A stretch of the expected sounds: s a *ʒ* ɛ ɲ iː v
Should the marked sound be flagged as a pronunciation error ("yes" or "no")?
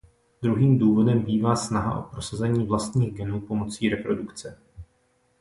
yes